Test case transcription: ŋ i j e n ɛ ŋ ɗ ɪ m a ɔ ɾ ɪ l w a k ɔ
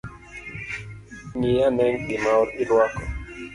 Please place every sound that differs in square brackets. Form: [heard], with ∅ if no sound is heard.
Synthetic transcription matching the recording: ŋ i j [a] n ɛ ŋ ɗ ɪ m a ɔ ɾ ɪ l w a k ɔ